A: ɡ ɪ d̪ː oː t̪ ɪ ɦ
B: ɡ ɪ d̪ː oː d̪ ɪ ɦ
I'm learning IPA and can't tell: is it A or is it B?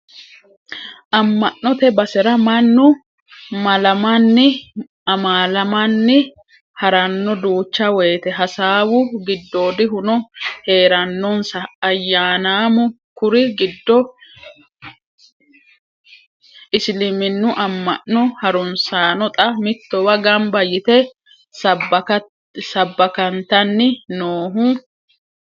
B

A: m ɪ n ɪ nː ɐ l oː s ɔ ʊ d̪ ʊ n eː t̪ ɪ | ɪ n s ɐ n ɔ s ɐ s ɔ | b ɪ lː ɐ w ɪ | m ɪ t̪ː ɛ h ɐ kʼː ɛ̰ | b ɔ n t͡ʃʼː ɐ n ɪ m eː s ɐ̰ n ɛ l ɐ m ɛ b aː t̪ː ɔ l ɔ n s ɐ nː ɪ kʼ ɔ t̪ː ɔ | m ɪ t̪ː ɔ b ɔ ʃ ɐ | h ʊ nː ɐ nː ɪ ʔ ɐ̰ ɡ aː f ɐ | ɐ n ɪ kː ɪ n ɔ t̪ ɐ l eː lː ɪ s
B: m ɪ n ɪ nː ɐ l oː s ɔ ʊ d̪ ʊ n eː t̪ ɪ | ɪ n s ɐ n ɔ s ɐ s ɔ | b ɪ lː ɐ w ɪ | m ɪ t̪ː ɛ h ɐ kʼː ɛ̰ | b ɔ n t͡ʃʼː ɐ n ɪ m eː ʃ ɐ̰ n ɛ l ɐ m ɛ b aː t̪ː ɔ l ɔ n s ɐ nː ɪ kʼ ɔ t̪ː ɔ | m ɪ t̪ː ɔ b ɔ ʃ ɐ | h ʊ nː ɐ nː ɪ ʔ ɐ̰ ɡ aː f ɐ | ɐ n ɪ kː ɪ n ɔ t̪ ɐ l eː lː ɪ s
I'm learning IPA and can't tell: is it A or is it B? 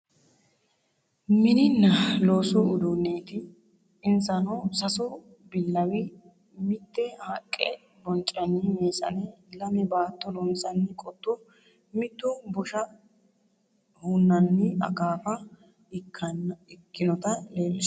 A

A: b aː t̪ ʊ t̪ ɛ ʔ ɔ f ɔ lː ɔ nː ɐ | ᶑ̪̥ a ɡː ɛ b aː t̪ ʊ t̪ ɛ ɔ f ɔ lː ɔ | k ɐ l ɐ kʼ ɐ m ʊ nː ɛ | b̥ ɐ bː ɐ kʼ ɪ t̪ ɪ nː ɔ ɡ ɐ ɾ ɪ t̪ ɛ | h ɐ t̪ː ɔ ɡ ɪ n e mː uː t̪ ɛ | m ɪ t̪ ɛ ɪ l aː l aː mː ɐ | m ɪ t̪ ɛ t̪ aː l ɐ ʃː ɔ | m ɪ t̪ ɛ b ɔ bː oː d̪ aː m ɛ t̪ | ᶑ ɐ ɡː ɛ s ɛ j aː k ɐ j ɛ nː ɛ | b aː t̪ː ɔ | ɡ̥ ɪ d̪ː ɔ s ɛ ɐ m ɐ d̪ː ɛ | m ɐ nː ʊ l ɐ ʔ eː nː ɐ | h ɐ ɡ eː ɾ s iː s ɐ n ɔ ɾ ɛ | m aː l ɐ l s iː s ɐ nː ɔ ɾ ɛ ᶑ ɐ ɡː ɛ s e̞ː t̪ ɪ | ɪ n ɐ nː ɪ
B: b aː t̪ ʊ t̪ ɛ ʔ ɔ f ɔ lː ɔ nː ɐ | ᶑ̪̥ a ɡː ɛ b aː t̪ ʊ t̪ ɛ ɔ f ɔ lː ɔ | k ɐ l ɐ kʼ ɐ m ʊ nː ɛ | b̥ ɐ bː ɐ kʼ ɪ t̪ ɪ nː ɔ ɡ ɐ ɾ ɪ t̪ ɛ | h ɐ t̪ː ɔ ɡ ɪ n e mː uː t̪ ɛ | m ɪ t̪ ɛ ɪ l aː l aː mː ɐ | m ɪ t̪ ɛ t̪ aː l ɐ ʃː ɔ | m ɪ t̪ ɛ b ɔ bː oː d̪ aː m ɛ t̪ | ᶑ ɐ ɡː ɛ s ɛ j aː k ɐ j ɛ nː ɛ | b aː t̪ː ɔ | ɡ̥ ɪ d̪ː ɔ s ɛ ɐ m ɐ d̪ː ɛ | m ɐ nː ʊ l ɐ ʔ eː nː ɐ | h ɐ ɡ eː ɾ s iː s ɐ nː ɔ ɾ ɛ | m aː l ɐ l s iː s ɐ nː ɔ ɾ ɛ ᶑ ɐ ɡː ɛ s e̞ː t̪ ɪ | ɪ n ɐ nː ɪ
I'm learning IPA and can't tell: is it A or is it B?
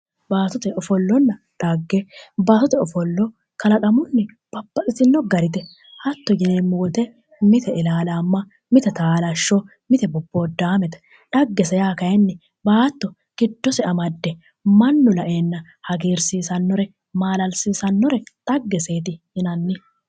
B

